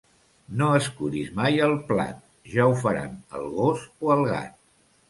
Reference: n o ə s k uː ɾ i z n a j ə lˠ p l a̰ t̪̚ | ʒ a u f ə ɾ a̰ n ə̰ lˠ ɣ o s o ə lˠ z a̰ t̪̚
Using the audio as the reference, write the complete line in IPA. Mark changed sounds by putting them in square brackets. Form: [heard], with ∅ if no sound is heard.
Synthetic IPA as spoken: n o ə s k [u] ɾ i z [m] a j ə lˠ p l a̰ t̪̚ | ʒ a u f ə ɾ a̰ n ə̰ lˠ ɣ o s o ə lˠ [ɣ] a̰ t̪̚